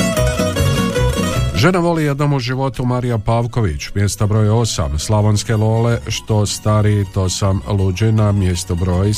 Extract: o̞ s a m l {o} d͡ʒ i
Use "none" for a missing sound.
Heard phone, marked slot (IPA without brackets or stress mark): u